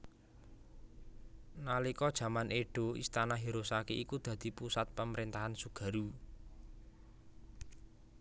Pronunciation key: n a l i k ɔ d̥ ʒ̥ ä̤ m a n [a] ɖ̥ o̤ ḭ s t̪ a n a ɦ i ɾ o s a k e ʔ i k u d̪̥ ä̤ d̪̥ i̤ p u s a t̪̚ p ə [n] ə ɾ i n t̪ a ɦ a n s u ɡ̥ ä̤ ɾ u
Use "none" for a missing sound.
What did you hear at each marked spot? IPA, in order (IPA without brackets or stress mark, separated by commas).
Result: e, m